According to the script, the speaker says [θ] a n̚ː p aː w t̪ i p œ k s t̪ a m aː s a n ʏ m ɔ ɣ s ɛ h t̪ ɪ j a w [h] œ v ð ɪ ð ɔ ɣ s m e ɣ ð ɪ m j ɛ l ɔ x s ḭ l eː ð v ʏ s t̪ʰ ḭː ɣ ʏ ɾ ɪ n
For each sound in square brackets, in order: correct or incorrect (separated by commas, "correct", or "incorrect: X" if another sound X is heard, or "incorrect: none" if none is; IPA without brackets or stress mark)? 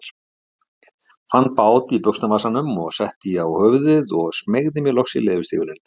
incorrect: f, correct